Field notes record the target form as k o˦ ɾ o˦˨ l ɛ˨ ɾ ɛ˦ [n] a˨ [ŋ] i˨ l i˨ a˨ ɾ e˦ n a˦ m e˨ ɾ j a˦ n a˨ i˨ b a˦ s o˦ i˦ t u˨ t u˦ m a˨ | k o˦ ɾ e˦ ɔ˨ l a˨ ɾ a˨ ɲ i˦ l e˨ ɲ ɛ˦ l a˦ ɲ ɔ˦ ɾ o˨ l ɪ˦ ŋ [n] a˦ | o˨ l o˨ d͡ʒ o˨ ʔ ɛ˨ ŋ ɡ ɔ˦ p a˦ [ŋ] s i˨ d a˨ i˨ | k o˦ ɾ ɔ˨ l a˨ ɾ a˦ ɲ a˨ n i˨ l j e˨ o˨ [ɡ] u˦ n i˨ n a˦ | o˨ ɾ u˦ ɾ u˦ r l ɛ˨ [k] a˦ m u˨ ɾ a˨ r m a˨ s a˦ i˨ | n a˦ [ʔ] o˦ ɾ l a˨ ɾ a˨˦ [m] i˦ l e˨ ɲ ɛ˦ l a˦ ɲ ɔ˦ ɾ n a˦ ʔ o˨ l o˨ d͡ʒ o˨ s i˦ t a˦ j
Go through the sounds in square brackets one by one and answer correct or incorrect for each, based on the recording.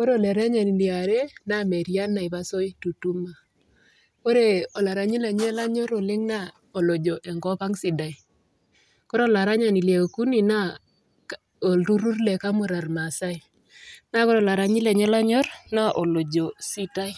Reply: incorrect: ɲ, incorrect: n, correct, correct, incorrect: k, correct, incorrect: k, incorrect: ɲ

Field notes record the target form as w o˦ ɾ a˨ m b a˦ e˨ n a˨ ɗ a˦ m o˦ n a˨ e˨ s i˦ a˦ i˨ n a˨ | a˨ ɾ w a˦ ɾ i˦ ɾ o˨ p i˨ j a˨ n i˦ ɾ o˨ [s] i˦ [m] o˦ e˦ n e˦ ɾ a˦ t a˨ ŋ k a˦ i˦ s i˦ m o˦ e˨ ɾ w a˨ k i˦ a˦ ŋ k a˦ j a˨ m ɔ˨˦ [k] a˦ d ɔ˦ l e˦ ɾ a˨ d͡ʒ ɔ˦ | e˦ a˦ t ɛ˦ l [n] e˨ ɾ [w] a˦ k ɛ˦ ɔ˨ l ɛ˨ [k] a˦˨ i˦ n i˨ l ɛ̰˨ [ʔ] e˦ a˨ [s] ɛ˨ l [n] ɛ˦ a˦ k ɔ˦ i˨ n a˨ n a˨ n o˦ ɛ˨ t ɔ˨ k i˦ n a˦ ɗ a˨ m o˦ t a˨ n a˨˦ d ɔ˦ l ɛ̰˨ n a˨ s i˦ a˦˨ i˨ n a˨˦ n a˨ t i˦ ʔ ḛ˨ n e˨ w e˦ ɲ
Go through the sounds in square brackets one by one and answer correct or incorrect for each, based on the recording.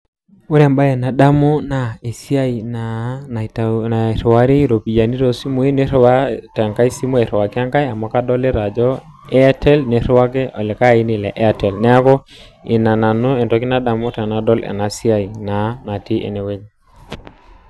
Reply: correct, correct, correct, correct, correct, correct, correct, incorrect: t, correct

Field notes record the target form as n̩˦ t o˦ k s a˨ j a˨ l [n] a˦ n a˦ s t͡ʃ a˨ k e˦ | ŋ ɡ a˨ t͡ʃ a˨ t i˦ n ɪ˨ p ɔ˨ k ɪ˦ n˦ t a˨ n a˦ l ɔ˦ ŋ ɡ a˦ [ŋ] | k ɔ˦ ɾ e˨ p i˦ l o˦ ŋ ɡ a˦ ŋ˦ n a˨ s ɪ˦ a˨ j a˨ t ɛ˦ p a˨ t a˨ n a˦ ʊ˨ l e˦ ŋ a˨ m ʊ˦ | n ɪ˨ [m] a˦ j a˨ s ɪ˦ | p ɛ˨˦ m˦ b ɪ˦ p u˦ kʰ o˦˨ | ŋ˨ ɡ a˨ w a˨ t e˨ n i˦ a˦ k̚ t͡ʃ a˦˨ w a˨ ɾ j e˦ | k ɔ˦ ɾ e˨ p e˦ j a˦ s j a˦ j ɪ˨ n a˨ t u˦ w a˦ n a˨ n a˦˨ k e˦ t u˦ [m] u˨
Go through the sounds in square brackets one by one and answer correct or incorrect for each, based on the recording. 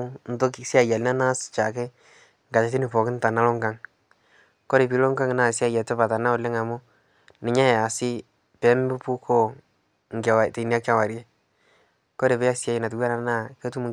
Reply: correct, correct, incorrect: ɲ, correct

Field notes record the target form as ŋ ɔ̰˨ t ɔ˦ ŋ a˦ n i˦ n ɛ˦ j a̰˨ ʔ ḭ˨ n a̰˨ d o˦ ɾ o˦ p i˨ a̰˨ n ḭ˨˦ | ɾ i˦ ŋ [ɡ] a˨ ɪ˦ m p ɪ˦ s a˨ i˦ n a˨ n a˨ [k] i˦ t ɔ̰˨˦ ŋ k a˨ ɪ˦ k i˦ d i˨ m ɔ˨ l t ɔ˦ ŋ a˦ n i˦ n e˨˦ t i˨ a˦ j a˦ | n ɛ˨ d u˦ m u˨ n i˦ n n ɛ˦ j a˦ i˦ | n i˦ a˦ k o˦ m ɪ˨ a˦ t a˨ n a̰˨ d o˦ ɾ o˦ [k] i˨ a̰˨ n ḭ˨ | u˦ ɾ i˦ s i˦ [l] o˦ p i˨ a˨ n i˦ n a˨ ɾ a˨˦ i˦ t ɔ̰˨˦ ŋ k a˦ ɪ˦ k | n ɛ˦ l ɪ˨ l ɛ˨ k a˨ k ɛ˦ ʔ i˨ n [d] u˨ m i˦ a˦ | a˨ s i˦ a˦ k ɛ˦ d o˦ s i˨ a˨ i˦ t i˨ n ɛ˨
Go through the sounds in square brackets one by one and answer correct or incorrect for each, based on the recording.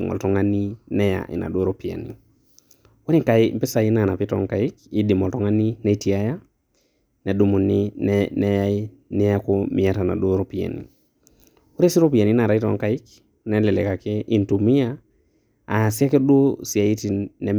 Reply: incorrect: k, incorrect: p, incorrect: p, incorrect: ɾ, incorrect: t

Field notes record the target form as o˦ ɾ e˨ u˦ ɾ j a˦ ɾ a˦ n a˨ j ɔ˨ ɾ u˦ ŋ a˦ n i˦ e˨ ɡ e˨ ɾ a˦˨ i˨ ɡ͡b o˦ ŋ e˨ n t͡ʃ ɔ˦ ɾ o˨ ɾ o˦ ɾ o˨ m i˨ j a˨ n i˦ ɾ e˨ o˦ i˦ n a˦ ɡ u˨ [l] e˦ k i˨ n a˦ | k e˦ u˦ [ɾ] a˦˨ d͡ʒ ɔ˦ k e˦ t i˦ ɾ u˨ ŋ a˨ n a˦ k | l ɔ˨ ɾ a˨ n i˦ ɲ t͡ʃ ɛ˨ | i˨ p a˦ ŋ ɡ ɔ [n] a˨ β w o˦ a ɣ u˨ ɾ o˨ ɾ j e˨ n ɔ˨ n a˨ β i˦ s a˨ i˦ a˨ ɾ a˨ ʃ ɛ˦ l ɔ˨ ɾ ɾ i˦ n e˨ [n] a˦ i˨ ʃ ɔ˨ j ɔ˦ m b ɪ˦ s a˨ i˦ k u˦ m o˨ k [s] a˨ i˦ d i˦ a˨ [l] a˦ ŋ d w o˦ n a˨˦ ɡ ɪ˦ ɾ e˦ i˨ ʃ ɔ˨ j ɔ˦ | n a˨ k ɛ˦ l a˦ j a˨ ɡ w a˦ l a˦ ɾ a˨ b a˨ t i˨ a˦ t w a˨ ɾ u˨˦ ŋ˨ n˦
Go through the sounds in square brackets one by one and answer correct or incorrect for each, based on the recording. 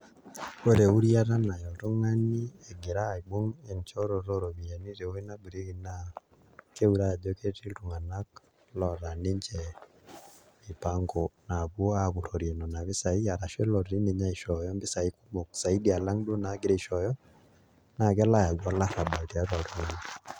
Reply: incorrect: ɾ, correct, correct, incorrect: ɲ, correct, correct

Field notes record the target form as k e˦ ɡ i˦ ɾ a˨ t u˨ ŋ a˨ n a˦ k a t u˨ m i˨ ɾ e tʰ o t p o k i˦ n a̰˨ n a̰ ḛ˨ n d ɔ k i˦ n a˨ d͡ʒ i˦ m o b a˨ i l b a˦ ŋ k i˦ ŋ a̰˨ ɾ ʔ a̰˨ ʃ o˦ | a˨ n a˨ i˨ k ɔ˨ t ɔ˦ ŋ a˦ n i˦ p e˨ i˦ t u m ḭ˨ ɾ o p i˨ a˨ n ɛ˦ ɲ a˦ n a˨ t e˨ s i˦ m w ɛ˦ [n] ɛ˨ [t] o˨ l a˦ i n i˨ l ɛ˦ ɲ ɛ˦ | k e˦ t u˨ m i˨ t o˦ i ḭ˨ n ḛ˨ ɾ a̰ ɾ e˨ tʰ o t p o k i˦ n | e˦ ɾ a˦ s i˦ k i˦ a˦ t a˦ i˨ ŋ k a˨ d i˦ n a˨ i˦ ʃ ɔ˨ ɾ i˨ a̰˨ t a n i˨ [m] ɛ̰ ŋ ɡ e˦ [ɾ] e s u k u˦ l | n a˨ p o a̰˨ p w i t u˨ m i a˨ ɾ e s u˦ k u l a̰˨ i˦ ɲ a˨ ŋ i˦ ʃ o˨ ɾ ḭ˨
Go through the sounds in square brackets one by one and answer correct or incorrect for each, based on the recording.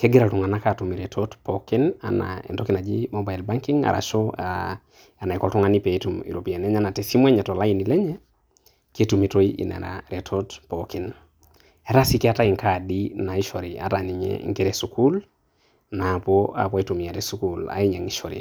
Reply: incorrect: ɲ, correct, incorrect: ɲ, correct

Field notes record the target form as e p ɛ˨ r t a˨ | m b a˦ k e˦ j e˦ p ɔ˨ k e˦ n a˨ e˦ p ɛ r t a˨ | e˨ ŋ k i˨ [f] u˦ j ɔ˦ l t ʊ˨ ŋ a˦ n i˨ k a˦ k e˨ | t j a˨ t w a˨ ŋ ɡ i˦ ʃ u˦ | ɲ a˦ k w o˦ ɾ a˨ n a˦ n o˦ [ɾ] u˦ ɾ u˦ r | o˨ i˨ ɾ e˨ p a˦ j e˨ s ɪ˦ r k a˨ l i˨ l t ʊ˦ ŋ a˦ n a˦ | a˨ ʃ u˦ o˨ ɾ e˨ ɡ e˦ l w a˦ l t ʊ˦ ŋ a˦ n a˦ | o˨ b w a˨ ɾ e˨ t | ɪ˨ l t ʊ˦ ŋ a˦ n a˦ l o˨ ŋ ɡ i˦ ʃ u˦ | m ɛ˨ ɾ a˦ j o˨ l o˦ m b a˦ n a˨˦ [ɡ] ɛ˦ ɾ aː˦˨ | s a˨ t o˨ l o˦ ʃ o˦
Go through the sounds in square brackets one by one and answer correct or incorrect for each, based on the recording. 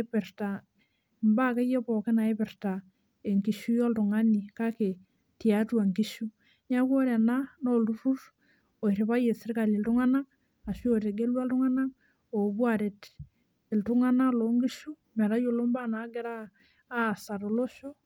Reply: incorrect: ʃ, incorrect: l, correct

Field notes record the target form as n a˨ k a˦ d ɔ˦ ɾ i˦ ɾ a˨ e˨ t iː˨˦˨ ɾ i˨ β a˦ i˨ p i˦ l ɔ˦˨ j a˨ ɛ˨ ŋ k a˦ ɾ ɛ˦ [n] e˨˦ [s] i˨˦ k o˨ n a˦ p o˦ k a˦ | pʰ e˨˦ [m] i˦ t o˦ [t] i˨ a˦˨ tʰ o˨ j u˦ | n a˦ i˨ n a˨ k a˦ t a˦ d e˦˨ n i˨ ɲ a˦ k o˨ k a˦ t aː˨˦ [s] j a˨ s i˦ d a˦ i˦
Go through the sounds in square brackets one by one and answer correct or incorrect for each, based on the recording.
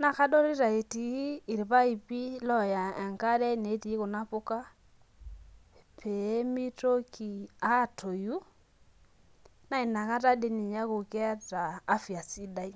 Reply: correct, incorrect: t, correct, incorrect: k, incorrect: f

